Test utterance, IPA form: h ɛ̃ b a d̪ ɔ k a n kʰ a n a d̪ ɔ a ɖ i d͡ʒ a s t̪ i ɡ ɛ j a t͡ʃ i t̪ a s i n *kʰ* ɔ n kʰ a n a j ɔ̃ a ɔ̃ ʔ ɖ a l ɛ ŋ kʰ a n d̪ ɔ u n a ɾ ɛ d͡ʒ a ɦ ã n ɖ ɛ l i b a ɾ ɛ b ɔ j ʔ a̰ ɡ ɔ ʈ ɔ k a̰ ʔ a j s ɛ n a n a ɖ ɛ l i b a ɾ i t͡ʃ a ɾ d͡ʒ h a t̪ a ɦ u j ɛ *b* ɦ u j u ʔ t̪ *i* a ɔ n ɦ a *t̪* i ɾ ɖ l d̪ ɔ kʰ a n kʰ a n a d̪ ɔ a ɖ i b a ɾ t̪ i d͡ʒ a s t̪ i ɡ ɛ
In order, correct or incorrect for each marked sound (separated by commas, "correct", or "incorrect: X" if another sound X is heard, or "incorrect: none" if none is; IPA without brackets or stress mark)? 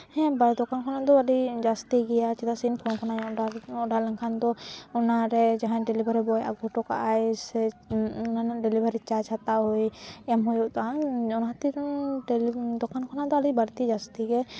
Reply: incorrect: pʰ, incorrect: m, incorrect: a, correct